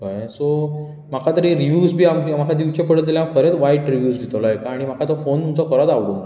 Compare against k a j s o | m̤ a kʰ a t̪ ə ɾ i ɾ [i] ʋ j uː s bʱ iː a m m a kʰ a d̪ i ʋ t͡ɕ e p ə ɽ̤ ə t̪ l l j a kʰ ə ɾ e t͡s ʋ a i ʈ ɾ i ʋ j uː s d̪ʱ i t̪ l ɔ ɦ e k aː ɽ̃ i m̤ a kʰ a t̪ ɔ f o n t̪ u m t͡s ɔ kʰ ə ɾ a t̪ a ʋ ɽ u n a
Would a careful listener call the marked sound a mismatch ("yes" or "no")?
no